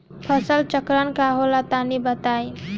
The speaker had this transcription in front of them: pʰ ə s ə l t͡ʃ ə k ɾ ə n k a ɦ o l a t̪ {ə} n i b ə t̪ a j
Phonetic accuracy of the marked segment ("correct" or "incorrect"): incorrect